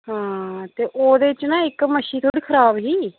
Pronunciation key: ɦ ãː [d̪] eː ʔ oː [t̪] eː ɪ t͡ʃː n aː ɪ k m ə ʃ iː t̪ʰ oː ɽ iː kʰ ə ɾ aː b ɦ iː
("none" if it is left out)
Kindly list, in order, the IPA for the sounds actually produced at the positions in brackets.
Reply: t̪, d̪

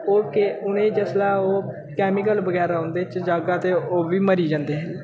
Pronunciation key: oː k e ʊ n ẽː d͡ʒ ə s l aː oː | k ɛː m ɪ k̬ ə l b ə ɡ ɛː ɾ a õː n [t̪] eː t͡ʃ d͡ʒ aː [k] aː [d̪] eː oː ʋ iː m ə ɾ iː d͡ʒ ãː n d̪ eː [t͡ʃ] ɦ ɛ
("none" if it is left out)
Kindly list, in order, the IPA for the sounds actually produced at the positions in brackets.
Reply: d̪, ɡ, t̪, none

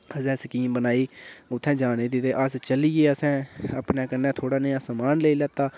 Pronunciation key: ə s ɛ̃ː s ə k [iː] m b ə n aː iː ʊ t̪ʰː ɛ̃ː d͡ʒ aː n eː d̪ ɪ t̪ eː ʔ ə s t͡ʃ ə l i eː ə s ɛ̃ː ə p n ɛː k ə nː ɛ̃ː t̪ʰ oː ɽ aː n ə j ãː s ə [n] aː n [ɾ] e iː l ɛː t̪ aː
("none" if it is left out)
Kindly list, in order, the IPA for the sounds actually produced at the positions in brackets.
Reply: iː, m, l

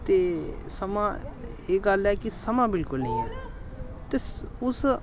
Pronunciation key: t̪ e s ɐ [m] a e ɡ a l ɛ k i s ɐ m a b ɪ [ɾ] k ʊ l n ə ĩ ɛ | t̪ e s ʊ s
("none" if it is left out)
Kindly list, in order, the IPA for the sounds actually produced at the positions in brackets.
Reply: m, l

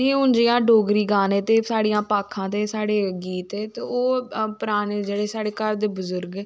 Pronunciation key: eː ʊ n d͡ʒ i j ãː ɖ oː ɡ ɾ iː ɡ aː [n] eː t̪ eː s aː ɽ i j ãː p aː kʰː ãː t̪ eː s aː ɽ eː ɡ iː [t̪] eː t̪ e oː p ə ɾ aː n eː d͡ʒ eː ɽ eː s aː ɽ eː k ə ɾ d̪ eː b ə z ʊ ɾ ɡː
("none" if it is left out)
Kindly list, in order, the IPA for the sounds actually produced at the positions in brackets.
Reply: n, t̪

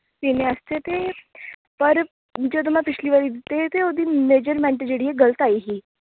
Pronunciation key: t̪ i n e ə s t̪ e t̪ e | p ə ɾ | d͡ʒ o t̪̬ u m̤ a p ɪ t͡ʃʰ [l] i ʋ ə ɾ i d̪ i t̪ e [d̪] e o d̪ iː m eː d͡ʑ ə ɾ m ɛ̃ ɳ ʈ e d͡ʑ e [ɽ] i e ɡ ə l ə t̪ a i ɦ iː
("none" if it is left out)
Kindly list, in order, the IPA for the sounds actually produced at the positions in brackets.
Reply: l, t̪, ɽ

